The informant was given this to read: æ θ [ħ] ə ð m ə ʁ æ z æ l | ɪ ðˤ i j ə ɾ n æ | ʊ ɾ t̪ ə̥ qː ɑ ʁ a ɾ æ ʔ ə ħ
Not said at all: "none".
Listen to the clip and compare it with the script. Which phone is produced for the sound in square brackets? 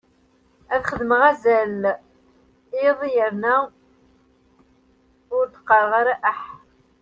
χ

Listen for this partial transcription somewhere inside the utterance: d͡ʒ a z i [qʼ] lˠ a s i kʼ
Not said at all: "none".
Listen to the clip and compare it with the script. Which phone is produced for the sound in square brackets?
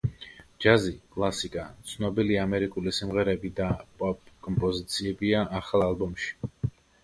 kʼ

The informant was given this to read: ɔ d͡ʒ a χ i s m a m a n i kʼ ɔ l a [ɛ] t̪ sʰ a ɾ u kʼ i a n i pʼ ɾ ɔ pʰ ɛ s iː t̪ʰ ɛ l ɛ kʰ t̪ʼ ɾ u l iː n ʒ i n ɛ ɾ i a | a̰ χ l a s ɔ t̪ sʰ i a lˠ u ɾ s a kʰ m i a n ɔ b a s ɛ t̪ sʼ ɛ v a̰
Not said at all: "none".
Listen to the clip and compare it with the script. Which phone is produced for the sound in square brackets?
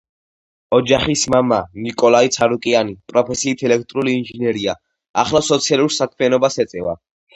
i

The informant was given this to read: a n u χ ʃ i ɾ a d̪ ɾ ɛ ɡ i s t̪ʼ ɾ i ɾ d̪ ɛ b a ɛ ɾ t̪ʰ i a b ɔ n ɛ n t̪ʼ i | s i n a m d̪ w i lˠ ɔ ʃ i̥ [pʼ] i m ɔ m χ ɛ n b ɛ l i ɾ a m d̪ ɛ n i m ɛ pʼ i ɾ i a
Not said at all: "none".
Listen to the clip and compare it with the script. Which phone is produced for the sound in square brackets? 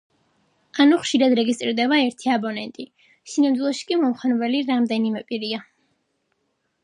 kʼ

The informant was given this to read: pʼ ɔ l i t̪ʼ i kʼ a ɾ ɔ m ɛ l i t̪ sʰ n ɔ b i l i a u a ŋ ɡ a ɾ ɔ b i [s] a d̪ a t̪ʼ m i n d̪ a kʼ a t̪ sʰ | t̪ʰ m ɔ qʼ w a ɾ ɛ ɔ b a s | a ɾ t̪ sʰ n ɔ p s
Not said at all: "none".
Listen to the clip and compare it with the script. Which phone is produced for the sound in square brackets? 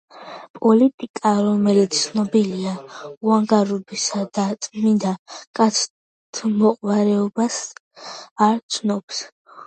s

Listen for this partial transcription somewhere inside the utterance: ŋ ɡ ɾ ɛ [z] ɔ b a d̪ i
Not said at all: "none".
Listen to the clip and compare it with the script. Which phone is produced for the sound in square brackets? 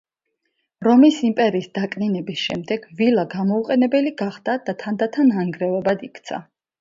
v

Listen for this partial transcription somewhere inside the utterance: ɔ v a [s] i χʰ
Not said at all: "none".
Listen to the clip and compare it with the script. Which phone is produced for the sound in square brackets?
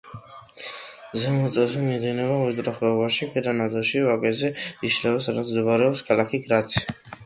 ʃ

